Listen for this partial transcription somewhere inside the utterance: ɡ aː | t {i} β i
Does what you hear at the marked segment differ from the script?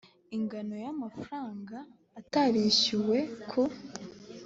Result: yes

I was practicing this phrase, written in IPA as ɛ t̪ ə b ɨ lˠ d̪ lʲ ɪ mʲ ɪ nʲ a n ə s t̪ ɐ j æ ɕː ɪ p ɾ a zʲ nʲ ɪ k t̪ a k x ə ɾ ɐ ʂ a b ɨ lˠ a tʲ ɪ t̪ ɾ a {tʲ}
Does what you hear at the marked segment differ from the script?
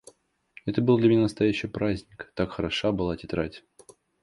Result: no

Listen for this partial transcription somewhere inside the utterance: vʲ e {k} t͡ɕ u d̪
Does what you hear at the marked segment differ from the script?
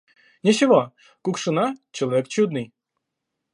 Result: no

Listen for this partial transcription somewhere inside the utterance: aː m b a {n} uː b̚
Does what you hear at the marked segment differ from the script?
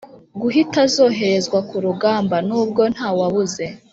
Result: no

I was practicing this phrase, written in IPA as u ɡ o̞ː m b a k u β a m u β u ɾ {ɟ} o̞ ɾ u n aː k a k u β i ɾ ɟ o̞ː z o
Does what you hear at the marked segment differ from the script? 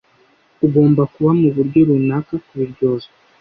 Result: no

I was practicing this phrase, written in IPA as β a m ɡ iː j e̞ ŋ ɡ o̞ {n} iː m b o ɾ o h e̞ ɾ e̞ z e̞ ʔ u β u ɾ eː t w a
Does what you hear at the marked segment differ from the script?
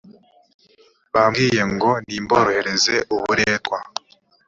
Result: no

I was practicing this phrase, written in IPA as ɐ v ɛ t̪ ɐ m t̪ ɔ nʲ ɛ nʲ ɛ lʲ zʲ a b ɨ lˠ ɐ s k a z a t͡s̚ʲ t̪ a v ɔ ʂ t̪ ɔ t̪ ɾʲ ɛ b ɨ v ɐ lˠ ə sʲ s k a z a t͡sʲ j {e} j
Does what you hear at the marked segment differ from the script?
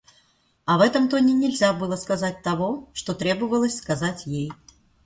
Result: no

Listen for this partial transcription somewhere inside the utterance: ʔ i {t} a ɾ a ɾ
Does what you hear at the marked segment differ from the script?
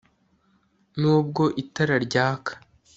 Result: no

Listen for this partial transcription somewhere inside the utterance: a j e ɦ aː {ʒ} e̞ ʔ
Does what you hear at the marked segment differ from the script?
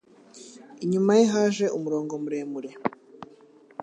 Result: no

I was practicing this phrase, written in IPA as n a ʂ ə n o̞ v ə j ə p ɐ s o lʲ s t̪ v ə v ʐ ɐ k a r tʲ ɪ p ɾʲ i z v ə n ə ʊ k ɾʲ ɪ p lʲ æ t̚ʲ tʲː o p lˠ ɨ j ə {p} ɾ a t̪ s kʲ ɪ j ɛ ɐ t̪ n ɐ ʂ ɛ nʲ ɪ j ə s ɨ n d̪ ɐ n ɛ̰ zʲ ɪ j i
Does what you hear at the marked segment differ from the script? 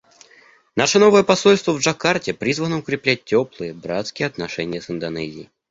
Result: yes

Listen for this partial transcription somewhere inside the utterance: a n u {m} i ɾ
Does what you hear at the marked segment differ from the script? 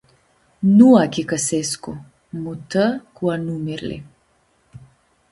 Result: no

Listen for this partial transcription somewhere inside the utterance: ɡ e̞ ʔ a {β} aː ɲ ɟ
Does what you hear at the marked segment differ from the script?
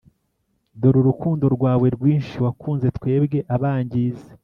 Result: no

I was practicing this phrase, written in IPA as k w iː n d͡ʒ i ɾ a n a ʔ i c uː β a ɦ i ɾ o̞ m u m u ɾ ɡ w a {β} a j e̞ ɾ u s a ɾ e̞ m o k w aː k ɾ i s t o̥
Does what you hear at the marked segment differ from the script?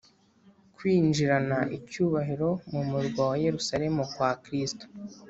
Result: yes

